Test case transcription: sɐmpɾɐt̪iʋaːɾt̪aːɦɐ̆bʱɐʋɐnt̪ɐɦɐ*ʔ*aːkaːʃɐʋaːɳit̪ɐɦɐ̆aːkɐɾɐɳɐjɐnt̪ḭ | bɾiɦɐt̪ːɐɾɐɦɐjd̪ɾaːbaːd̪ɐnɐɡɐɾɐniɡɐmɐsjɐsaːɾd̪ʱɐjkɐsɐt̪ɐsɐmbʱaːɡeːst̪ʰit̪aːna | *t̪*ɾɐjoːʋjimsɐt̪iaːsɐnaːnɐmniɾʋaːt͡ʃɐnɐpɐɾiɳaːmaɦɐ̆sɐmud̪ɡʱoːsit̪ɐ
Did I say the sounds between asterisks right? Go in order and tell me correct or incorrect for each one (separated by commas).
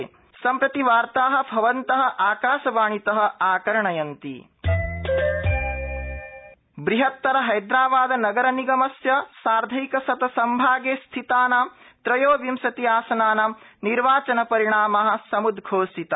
correct, correct